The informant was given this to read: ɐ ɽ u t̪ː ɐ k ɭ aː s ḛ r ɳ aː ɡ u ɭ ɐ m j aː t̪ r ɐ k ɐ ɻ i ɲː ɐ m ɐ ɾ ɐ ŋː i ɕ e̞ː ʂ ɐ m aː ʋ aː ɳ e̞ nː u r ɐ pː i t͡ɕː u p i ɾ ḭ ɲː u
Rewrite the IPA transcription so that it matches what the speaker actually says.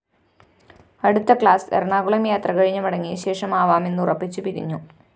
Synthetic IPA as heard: ɐ ɽ u t̪ː ɐ k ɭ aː s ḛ r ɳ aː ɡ u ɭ ɐ m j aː t̪ r ɐ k ɐ ɻ i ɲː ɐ m ɐ ɽ ɐ ŋː i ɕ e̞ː ʂ ɐ m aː ʋ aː m e̞ nː u r ɐ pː i t͡ɕː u p i ɾ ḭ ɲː u

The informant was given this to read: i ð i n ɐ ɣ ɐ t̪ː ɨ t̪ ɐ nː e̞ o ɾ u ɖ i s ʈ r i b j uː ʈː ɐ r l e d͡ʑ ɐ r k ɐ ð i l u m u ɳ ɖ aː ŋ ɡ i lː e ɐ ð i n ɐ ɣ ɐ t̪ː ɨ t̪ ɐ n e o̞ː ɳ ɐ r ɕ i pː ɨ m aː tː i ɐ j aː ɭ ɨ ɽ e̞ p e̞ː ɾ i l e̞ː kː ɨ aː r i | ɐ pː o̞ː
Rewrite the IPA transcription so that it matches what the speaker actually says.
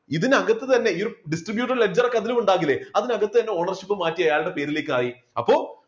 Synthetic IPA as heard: i ð i n ɐ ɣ ɐ t̪ː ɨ t̪ ɐ nː e̞ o ɾ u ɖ i s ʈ r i b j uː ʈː ɐ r l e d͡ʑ ɐ r k ɐ ð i l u m u ɳ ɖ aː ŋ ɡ i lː e ɐ ð i n ɐ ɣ ɐ t̪ː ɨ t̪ ɐ nː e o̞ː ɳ ɐ r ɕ i pː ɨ m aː tː i ɐ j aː ɭ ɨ ɽ e̞ p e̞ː ɾ i l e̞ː kː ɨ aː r i | ɐ pː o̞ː

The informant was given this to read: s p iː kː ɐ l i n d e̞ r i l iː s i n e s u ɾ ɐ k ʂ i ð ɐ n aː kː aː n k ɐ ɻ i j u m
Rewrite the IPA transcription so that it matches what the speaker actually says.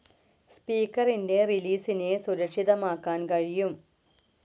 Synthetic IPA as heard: s p iː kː ɐ r i n d e̞ r i l iː s i n e s u ɾ ɐ k ʂ i ð ɐ m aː kː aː n k ɐ ɻ i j u m

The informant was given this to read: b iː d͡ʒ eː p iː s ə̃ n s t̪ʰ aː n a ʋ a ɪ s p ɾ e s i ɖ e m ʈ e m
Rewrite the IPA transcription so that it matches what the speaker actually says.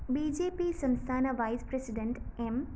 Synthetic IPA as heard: b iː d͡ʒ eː p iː s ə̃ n s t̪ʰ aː n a ʋ a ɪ s p ɾ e s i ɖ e ɳ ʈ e m

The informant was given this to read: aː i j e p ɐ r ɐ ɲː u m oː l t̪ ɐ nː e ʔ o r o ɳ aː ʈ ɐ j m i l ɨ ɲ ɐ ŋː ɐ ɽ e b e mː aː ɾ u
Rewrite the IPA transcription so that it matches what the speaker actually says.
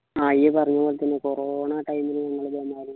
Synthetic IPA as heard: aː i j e p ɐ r ɐ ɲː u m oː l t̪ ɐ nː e k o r o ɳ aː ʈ ɐ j m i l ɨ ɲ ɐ ŋː ɐ ɭ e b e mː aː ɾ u

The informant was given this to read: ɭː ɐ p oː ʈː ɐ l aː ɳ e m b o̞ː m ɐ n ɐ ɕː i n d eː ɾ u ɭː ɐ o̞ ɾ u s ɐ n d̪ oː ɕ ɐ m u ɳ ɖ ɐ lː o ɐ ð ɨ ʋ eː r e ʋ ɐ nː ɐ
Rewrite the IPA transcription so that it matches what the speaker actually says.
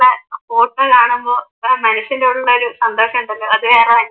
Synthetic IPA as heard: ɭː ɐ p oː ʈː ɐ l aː ɳ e m b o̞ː m ɐ n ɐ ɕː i n d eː ɽ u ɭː ɐ o̞ ɾ u s ɐ n d̪ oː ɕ ɐ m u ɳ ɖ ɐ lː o ɐ ð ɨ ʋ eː r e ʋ ɐ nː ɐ

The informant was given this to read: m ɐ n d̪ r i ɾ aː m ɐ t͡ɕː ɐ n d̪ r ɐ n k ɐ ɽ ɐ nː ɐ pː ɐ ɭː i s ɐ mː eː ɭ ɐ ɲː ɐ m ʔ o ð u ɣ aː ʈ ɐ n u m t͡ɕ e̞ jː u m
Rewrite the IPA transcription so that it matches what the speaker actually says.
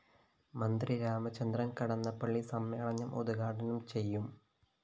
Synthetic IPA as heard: m ɐ n d̪ r i ɾ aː m ɐ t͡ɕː ɐ n d̪ r ɐ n k ɐ ɽ ɐ nː ɐ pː ɐ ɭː i s ɐ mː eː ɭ ɐ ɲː ɐ m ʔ o ð u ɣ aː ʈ ɐ n u m t͡ɕ e̞ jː u m

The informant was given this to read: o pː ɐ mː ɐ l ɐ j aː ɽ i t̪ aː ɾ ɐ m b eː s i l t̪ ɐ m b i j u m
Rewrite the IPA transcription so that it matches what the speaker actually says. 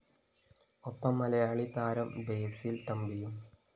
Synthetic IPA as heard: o pː ɐ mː ɐ l ɐ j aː ɭ i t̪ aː ɾ ɐ m b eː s i l t̪ ɐ m b i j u m

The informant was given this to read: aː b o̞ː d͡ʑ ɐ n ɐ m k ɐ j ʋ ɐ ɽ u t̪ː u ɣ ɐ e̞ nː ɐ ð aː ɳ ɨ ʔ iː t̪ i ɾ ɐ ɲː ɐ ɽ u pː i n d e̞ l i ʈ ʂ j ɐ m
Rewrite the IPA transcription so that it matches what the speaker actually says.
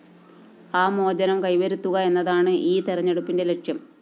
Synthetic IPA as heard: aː m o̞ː d͡ʑ ɐ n ɐ m k ɐ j ʋ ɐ ɾ u t̪ː u ɣ ɐ e̞ nː ɐ ð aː ɳ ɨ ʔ iː t̪ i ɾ ɐ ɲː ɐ ɽ u pː i n d e̞ l e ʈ ʂ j ɐ m

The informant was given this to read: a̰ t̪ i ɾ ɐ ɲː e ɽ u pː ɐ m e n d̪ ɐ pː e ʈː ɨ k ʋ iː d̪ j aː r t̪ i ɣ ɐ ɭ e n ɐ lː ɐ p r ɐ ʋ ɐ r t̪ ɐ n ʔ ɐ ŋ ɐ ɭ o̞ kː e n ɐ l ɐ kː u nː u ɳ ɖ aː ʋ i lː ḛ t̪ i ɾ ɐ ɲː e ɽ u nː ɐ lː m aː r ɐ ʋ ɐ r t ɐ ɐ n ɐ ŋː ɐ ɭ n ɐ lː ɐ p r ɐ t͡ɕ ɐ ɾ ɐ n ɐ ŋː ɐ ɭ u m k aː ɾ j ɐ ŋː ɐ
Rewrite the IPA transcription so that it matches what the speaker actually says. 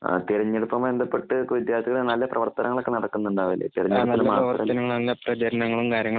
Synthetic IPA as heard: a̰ t̪ i ɾ ɐ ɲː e ɽ u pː ɐ m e n d̪ ɐ pː e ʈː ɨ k ʋ i d̪ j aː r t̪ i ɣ ɐ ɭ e n ɐ lː ɐ p r ɐ ʋ ɐ r t̪ ɐ n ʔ ɐ ŋ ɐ ɭ o̞ kː e n ɐ ɽ ɐ kː u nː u ɳ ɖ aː ʋ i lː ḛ t̪ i ɾ ɐ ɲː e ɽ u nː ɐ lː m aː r ɐ ʋ ɐ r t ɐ ɐ n ɐ ŋː ɐ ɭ n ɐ lː ɐ p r ɐ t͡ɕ ɐ ɾ ɐ n ɐ ŋː ɐ ɭ u m k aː ɾ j ɐ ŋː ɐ

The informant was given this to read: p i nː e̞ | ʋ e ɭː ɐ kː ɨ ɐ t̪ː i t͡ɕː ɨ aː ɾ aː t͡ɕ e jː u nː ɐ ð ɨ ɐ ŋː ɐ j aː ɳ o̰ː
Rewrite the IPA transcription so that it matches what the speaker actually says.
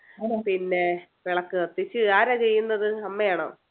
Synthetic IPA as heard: p i nː e̞ | ʋ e ɭ ɐ kː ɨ ɐ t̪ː i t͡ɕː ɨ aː ɾ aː t͡ɕ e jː u nː ɐ ð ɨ ɐ mː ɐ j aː ɳ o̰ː

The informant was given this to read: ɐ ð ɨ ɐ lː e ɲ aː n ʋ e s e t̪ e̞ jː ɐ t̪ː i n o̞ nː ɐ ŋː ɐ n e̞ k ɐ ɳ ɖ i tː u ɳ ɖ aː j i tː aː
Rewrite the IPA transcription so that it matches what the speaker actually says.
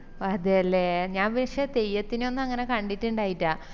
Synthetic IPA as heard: ɐ ð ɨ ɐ lː e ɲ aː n ʋ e ʂ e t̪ e̞ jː ɐ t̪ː i n o̞ nː ɐ ŋː ɐ n e̞ k ɐ ɳ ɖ i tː u ɳ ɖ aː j i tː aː

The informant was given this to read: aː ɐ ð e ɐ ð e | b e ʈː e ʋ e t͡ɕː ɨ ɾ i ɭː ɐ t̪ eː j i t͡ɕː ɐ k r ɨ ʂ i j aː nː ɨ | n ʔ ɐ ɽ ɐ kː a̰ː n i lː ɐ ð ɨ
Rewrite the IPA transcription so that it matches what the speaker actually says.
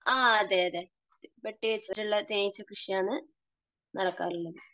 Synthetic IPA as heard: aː ɐ ð e ɐ ð e | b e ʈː i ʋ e t͡ɕː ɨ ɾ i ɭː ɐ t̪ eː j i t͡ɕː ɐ k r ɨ ʂ i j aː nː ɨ | n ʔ ɐ ɽ ɐ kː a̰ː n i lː ɐ ð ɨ

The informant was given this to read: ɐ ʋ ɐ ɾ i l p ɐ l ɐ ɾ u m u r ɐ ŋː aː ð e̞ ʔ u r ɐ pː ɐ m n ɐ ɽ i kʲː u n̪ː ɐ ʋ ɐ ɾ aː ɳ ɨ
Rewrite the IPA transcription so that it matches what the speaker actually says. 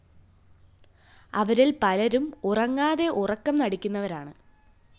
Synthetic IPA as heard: ɐ ʋ ɐ ɾ i l p ɐ l ɐ ɾ u m u r ɐ ŋː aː ð e̞ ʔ u r ɐ kː ɐ m n ɐ ɽ i kʲː u n̪ː ɐ ʋ ɐ ɾ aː ɳ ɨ

